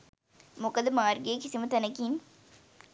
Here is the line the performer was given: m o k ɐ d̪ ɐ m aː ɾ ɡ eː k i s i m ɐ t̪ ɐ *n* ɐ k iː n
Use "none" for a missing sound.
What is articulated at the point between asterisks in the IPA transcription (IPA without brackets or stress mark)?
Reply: n